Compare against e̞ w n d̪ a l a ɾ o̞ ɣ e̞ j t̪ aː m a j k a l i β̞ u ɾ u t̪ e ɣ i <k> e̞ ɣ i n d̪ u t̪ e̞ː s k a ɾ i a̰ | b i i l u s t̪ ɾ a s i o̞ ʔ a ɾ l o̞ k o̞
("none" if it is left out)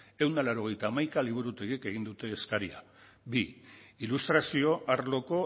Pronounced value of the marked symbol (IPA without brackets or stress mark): k